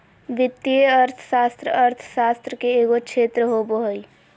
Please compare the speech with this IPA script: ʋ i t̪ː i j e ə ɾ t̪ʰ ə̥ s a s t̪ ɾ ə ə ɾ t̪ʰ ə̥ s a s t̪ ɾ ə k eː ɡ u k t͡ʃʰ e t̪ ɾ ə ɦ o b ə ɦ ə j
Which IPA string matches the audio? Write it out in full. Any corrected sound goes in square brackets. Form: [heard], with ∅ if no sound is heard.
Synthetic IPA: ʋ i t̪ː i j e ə ɾ t̪ʰ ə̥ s a s t̪ ɾ ə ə ɾ t̪ʰ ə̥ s a s t̪ ɾ ə k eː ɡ [o] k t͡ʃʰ e t̪ ɾ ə ɦ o b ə ɦ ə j

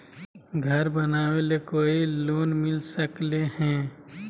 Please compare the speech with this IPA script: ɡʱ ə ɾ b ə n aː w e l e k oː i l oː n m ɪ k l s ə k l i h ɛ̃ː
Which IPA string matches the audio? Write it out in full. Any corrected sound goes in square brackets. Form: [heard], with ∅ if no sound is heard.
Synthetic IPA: ɡʱ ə ɾ b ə n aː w e l e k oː i l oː n m ɪ [∅] l s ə k l [e] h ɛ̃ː

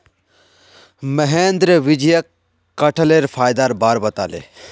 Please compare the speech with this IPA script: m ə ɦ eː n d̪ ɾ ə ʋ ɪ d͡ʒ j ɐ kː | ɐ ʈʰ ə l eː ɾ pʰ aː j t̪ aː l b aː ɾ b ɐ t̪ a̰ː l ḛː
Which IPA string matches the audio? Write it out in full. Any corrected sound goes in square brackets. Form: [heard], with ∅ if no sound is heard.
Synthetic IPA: m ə ɦ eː n d̪ ɾ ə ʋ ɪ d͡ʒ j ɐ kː | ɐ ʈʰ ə l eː ɾ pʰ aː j [d̪] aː [ɾ] b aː ɾ b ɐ t̪ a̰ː l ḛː

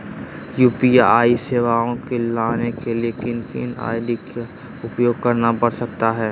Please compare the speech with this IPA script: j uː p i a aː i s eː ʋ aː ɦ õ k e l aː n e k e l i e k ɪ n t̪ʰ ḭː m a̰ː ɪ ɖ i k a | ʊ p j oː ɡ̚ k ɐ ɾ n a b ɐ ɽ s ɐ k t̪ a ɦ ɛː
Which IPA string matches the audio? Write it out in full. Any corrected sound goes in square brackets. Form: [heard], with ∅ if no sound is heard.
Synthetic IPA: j uː p i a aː i s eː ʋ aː [∅] õ k e l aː n e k e l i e k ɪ n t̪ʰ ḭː [n] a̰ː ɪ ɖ i k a | ʊ p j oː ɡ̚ k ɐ ɾ n a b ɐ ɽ s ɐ k t̪ a ɦ ɛː

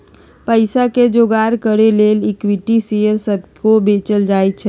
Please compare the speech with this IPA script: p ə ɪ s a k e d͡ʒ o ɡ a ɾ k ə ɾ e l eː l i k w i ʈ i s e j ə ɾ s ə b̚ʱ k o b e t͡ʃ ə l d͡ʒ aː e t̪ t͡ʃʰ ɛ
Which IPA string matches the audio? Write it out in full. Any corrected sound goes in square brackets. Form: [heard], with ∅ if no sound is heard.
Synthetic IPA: p ə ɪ s a k e d͡ʒ o ɡ a ɾ k ə ɾ e l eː l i k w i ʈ i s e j ə ɾ s ə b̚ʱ k o b e t͡ʃ ə l d͡ʒ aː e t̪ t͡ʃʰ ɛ

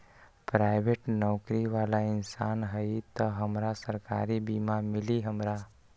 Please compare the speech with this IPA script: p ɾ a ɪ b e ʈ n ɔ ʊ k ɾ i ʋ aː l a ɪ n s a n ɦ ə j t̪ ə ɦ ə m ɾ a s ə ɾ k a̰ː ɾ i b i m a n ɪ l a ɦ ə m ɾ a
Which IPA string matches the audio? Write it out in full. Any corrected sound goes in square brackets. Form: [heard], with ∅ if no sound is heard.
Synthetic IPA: p ɾ a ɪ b e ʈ n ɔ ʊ k ɾ i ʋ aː l a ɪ n s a n ɦ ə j t̪ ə ɦ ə m ɾ a s ə ɾ k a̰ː ɾ i b i m a [m] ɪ l [i] ɦ ə m ɾ a

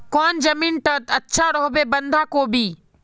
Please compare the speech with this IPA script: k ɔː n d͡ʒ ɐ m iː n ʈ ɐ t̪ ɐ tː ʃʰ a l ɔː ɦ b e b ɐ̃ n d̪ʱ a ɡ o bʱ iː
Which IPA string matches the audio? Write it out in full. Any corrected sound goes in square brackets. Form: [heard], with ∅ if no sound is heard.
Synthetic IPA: k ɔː n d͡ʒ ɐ m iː n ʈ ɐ t̪ ɐ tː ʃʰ a [ɾ] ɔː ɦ b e b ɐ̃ n d̪ʱ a [k] o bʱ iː

